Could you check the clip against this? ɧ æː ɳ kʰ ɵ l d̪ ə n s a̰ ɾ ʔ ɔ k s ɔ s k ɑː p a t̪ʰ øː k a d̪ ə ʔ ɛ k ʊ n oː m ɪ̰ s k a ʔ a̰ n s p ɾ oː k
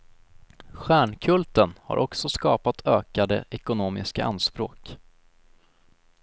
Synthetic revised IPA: ɧ æː ɳ kʰ ɵ l t̪ ə n h a̰ ɾ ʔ ɔ k s ɔ s k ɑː p a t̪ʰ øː k a d̪ ə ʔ ɛ k ʊ n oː m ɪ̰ s k a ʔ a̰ n s p ɾ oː k